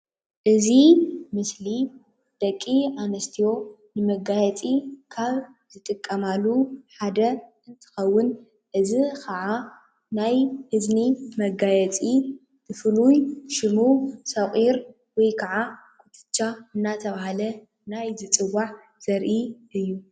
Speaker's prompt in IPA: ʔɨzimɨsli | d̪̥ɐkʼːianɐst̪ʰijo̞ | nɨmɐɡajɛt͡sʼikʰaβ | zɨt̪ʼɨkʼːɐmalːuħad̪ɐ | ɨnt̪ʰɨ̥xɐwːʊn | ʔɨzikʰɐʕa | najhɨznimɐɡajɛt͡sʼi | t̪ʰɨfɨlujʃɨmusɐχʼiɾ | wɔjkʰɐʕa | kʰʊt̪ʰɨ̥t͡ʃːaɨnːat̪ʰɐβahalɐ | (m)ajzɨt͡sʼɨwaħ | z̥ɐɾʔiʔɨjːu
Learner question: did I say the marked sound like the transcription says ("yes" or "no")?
no